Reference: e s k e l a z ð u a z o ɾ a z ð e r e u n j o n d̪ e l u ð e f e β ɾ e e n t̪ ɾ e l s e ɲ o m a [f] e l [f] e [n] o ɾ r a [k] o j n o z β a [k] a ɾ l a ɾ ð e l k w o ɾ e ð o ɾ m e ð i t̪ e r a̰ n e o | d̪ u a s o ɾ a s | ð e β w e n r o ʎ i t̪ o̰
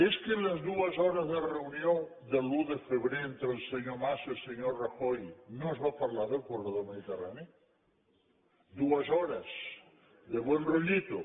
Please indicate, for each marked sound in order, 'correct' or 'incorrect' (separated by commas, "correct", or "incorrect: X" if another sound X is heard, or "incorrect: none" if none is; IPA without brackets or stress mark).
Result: incorrect: s, incorrect: s, incorrect: ɲ, incorrect: x, incorrect: p